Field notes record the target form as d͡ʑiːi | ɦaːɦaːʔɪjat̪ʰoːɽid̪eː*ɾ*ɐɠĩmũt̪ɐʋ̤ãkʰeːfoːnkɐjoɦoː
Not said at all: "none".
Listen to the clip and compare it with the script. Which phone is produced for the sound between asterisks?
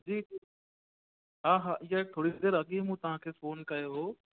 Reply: ɾ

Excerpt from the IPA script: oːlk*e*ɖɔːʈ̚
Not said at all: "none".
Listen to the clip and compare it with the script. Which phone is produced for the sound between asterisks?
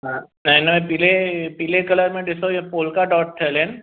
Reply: a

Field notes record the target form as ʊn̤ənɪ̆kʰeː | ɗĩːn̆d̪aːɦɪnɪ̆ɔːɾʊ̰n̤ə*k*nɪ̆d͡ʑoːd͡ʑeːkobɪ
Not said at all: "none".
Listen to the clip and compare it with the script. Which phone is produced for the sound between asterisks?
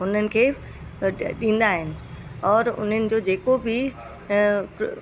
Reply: none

